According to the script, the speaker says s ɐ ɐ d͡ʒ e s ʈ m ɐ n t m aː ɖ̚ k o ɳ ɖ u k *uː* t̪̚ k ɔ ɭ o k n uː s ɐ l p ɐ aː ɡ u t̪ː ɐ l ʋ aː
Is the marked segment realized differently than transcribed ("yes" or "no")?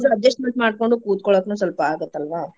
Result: no